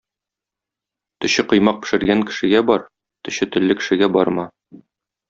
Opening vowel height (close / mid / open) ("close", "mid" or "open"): mid